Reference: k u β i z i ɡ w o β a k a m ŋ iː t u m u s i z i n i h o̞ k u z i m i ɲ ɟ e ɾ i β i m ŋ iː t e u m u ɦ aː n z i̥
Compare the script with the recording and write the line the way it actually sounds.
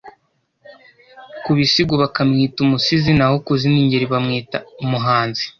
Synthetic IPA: k u β i s i ɡ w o β a k a m ŋ iː t u m u s i z i n a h o̞ k u z i n i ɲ ɟ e ɾ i β a m ŋ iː t a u m u ɦ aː n z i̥